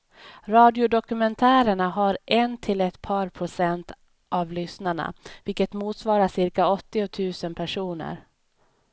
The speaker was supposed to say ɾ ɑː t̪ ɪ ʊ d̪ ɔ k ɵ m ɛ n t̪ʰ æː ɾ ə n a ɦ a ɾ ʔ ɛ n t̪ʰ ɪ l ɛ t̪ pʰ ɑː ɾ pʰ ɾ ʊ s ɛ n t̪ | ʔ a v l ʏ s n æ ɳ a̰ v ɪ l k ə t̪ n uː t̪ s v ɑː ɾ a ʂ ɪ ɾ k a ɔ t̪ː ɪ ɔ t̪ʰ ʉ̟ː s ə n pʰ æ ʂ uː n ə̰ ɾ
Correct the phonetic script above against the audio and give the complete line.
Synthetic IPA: ɾ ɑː d̪ ɪ ʊ d̪ ɔ k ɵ m ɛ n t̪ʰ æː ɾ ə ɳ a ɦ a ɾ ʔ ɛ n t̪ʰ ɪ l ɛ t̪ pʰ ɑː ɾ pʰ ɾ ʊ s ɛ n t̪ | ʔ a v l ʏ s n a ɳ a̰ v ɪ l k ə t̪ m uː t̪ s v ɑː ɾ a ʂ ɪ ɾ k a ɔ t̪ː ɪ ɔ t̪ʰ ʉ̟ː s ə n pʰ æ ʂ uː n ə̰ ɾ